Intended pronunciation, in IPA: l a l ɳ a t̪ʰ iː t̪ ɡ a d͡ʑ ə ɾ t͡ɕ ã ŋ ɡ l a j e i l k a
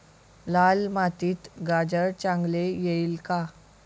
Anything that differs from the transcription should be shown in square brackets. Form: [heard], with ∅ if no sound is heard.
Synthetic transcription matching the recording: l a l [m] a [t̪] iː t̪ ɡ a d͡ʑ ə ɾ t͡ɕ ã ŋ ɡ l [e] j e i l k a